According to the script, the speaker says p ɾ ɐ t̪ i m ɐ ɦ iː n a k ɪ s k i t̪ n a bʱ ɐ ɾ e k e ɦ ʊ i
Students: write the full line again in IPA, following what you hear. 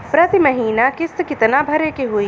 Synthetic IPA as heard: p ɾ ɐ t̪ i m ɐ ɦ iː n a k ɪ s k ɪ t̪ n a bʱ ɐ ɾ e k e ɦ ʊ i